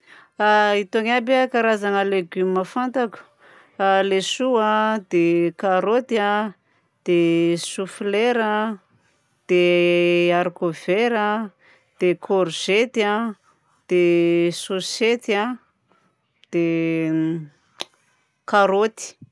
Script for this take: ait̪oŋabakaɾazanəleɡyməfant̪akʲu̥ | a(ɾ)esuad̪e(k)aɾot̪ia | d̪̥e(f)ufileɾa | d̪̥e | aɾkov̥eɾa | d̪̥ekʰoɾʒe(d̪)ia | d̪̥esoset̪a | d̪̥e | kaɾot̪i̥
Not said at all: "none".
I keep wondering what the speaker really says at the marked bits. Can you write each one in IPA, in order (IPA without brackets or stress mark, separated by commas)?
l, k, s, t̪